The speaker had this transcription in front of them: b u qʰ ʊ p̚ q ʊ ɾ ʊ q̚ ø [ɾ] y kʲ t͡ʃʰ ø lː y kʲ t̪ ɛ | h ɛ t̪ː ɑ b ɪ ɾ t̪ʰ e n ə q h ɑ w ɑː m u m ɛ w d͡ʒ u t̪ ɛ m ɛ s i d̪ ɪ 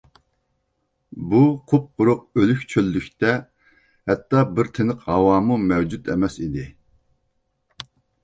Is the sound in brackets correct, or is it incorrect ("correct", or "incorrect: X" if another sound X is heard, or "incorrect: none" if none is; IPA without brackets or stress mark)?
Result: incorrect: l